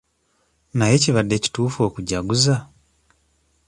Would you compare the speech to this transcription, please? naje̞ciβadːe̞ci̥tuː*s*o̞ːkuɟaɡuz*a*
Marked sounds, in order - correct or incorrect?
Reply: incorrect, correct

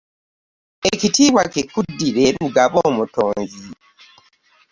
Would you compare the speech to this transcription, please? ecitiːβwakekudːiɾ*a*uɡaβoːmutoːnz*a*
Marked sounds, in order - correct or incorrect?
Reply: incorrect, incorrect

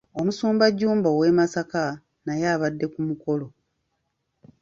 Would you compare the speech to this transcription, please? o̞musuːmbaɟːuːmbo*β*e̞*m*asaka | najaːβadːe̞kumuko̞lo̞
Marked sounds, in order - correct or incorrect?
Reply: incorrect, correct

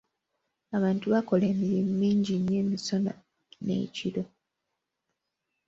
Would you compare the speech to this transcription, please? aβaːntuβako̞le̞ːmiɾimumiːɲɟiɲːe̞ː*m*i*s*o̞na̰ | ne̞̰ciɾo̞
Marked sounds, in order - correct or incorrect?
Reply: correct, correct

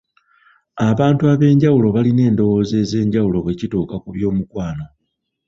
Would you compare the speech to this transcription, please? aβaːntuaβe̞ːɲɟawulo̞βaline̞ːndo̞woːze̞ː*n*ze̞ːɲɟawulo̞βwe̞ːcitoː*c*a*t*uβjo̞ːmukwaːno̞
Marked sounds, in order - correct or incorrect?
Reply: incorrect, incorrect, incorrect

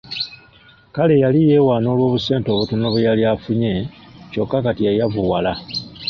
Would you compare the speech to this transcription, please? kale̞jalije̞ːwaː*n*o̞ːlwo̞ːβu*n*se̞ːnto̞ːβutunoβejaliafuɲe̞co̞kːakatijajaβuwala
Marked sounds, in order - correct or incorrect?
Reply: correct, incorrect

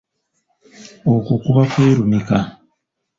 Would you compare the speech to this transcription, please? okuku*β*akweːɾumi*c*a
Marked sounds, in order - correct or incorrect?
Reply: correct, incorrect

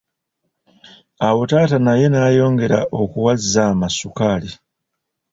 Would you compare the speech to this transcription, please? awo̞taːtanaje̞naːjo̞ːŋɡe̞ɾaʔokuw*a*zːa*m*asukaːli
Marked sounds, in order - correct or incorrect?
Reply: correct, correct

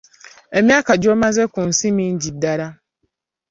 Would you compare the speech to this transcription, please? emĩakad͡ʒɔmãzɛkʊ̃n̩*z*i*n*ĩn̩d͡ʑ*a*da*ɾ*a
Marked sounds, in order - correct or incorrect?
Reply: incorrect, incorrect, incorrect, correct

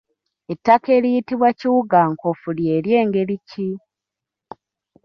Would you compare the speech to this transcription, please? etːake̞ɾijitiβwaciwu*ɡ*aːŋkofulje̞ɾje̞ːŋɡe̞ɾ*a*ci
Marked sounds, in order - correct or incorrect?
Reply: correct, incorrect

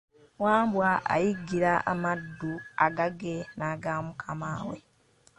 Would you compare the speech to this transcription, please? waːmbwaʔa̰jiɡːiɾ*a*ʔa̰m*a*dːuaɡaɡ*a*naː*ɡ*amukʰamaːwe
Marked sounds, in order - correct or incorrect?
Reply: correct, correct, incorrect, correct

